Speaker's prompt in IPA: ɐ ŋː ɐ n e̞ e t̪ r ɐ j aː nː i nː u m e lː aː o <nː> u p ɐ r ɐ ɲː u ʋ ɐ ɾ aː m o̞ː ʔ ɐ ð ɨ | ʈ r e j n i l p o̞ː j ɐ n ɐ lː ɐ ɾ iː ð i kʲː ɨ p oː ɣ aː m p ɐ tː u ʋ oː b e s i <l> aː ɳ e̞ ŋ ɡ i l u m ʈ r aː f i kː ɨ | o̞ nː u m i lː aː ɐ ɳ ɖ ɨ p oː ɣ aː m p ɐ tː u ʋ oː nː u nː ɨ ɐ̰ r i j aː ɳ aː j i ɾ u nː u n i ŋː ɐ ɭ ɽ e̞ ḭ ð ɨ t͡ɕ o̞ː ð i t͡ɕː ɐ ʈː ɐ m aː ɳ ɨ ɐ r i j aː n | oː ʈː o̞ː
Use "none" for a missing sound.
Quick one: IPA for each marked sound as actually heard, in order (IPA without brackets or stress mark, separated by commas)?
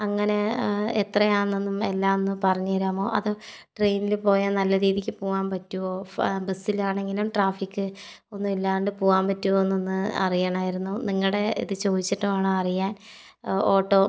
nː, l